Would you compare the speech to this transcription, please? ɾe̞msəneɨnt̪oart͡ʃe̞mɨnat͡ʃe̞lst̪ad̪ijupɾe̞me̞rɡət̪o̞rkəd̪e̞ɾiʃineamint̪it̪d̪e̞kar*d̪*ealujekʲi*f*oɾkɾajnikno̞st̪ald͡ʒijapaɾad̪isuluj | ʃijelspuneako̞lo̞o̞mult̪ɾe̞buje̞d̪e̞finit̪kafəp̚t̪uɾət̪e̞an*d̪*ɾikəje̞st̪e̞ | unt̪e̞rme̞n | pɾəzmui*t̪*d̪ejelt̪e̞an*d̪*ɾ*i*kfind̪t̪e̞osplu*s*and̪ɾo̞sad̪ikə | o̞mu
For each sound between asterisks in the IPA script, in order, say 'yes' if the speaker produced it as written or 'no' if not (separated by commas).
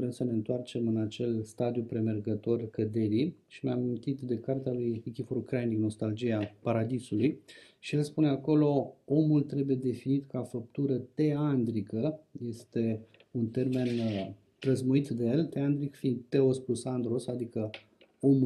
no, yes, yes, yes, yes, yes, yes